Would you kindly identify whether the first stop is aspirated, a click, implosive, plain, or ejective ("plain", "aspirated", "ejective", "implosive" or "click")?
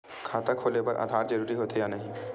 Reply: aspirated